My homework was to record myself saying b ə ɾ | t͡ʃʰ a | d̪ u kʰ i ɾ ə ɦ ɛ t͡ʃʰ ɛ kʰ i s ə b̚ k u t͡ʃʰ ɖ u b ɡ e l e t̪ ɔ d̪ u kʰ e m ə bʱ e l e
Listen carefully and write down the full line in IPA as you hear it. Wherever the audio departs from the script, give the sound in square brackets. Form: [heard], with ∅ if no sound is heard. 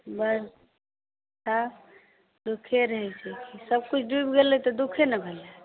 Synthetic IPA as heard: b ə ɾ | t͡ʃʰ a | d̪ u kʰ [e] ɾ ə ɦ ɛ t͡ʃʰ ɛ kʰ i s ə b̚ k u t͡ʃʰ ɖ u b ɡ e l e t̪ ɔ d̪ u kʰ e [n] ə bʱ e l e